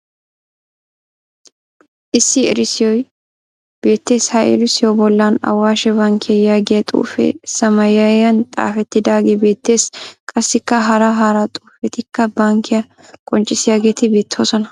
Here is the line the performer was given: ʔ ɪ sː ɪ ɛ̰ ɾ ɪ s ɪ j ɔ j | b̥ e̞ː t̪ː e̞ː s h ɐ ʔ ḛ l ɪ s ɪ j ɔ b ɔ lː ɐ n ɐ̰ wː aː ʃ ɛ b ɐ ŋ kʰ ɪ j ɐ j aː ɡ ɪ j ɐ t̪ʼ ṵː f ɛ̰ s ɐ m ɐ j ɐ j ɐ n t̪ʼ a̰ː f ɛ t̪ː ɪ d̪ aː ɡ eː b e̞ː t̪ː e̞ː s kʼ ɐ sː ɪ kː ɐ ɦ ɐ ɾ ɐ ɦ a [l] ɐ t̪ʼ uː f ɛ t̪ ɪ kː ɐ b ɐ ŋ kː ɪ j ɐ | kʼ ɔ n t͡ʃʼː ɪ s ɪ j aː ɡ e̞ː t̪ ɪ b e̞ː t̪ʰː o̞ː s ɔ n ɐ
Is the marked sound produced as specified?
no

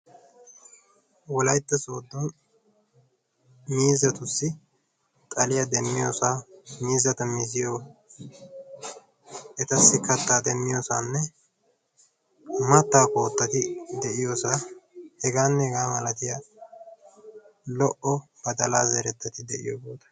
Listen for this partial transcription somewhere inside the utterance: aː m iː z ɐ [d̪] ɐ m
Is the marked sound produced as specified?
no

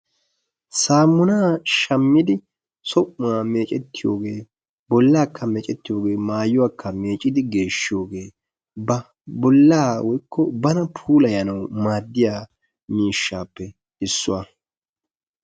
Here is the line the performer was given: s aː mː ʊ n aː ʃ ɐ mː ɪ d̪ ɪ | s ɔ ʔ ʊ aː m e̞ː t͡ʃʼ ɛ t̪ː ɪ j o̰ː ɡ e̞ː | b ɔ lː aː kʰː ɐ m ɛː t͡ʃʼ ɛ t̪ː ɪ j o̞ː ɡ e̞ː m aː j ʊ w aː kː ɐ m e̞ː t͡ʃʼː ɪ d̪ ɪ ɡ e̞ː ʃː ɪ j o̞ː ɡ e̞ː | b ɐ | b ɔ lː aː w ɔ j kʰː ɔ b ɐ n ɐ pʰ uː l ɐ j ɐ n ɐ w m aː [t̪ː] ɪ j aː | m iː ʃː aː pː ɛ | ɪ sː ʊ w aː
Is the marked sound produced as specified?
no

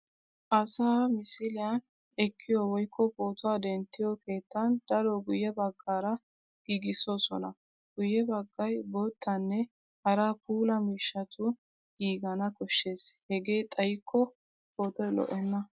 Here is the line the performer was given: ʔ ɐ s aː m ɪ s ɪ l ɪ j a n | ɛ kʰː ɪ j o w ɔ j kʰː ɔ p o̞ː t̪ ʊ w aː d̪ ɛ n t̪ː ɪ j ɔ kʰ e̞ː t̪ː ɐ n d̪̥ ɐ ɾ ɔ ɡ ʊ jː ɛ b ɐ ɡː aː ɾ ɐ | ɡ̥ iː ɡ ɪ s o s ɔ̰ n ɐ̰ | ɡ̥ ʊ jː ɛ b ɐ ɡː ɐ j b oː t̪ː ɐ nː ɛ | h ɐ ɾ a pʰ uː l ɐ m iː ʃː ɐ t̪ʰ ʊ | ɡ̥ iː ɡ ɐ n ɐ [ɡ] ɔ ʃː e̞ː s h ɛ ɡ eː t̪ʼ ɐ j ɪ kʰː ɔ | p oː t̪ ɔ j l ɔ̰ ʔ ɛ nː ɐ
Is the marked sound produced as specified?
no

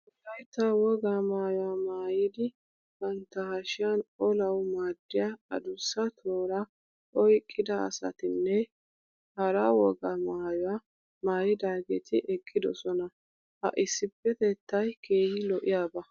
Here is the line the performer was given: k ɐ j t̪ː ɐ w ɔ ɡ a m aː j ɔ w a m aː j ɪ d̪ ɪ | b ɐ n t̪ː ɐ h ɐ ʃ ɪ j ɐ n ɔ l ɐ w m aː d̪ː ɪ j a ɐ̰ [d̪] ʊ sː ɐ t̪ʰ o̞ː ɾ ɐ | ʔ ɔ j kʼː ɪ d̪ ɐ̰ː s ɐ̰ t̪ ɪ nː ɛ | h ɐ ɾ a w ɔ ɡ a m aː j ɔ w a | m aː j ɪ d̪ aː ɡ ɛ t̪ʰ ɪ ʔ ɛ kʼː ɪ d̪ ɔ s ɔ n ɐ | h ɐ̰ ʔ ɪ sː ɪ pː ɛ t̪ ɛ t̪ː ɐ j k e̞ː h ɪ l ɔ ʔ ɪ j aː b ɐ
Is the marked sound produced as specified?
yes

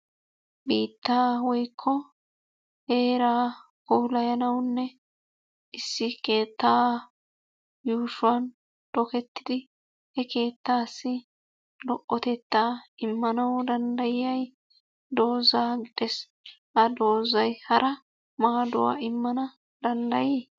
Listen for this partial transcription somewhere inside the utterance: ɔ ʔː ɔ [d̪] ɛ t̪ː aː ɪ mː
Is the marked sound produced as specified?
no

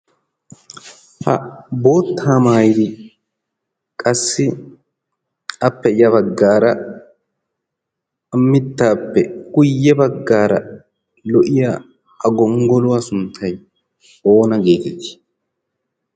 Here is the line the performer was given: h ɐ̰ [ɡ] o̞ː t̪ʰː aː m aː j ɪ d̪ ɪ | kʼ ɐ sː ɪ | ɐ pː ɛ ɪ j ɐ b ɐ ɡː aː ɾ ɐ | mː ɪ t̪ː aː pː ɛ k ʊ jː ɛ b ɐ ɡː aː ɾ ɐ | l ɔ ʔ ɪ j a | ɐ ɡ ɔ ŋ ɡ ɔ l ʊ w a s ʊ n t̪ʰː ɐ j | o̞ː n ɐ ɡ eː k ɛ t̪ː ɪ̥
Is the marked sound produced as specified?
no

